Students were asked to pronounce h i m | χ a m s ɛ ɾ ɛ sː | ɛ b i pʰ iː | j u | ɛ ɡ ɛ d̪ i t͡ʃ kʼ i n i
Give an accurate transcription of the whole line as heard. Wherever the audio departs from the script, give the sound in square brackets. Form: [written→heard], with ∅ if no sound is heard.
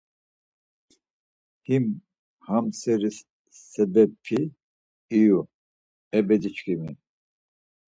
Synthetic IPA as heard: h i m | [χ→h] a m s ɛ ɾ [ɛ→i] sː | ɛ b [i→ɛ] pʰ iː | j u | ɛ [ɡ→b] ɛ d̪ i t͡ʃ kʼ i [n→m] i